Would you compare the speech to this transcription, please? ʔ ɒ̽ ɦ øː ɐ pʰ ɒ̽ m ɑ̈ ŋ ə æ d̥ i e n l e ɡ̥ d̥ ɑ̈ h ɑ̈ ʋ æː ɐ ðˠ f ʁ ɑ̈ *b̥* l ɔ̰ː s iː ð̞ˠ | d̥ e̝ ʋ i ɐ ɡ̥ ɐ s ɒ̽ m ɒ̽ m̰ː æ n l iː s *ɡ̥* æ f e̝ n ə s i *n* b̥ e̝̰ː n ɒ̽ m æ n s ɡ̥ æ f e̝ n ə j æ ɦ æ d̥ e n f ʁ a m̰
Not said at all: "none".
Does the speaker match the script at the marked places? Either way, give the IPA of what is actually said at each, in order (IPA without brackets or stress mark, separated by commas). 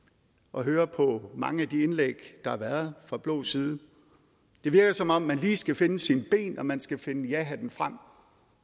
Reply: b̥, ɡ̥, n